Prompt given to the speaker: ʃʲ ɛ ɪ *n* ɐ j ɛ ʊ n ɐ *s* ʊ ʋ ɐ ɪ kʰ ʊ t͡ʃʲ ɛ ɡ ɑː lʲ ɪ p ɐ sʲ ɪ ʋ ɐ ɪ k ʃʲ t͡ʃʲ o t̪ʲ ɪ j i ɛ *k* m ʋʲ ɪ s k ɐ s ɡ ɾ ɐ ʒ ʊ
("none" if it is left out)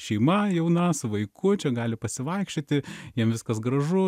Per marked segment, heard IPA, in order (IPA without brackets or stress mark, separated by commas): m, s, none